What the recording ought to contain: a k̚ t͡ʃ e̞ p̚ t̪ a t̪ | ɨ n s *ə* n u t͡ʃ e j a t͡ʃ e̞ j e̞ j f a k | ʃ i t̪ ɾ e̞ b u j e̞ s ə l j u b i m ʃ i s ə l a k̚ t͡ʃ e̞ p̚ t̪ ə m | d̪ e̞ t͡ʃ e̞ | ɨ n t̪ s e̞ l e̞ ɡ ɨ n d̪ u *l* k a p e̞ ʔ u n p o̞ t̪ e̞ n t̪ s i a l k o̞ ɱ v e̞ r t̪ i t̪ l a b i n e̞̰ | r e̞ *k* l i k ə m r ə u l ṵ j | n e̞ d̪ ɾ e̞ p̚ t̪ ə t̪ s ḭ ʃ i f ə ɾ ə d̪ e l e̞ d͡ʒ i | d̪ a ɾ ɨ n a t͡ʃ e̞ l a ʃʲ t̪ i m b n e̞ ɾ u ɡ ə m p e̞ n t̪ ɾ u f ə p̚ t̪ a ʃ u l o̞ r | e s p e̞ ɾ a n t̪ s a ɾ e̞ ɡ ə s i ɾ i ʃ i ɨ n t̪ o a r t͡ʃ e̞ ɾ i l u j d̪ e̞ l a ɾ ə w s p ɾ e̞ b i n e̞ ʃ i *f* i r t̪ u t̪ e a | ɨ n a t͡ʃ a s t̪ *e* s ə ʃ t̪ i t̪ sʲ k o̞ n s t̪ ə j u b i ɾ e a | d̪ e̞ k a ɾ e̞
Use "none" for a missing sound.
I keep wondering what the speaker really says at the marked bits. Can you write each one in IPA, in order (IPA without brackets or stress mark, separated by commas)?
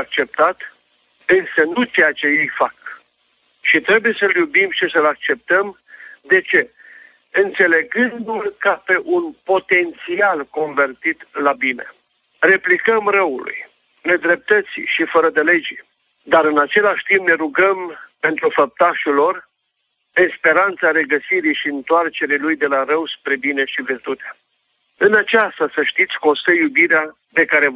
ə, l, p, v, a